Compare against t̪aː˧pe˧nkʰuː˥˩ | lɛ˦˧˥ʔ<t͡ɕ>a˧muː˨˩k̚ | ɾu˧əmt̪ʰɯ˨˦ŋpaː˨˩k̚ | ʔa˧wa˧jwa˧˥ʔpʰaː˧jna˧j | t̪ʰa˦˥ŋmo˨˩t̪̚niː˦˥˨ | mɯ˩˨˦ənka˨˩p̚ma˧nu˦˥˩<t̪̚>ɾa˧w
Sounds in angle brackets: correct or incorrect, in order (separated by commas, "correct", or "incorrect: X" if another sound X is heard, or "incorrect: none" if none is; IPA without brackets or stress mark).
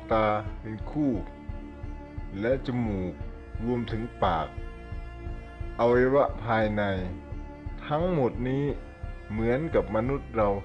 correct, correct